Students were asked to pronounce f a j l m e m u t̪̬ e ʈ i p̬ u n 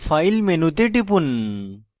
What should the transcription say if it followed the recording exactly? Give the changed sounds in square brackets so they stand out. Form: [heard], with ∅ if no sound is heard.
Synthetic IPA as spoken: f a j l m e [n] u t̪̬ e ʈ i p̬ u n